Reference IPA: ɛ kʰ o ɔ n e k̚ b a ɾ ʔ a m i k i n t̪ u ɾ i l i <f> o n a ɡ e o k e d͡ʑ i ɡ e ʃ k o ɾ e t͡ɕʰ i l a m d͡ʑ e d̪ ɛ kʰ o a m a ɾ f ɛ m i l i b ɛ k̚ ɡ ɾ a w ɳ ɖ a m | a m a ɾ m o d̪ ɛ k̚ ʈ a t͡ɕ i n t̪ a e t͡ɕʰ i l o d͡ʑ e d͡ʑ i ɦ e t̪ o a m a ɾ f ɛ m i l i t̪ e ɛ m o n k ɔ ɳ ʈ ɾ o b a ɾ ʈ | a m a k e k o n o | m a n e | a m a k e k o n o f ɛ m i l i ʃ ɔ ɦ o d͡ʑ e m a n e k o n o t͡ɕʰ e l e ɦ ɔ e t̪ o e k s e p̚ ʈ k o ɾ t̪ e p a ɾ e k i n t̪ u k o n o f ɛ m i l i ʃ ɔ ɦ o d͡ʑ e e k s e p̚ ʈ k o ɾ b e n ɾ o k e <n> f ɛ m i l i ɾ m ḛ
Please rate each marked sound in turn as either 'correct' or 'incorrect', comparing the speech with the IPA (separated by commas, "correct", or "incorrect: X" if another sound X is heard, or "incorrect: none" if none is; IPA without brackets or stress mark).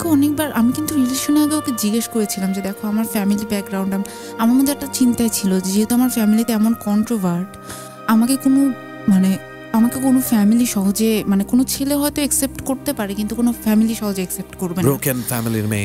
incorrect: ʃ, correct